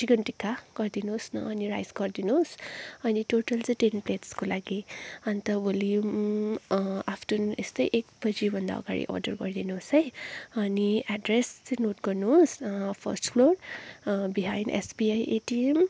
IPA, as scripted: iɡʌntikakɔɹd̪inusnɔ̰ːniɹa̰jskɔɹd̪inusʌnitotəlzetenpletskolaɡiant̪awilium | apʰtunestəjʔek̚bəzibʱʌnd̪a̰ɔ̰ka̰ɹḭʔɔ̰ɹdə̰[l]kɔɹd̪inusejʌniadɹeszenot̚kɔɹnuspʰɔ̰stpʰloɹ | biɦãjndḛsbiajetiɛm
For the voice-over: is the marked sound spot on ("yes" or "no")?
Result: no